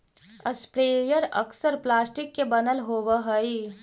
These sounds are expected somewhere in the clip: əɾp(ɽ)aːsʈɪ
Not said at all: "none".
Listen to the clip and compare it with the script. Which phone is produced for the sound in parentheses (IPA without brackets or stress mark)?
l